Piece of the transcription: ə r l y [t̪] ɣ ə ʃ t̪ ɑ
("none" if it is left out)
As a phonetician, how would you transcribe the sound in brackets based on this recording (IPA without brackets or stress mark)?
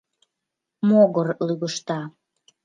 none